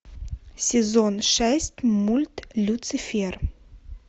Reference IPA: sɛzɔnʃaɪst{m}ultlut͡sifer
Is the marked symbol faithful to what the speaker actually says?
yes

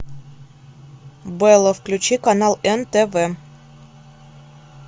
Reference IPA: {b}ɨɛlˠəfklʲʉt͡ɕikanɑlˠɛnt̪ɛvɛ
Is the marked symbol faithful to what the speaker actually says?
yes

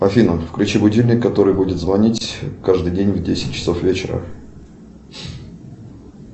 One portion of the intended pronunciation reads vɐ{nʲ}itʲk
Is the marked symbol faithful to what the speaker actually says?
yes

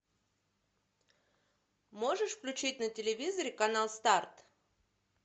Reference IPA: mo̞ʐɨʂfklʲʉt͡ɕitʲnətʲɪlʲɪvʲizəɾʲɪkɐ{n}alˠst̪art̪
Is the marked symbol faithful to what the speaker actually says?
yes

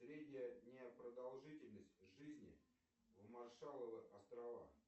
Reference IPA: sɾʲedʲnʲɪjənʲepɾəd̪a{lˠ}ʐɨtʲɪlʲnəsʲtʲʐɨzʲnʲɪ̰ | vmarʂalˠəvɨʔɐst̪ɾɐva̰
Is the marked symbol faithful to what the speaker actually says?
yes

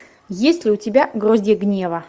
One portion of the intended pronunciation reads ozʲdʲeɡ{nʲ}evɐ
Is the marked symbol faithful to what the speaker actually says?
yes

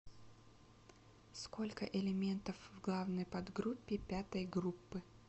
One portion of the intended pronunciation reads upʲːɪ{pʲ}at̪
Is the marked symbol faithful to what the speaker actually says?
yes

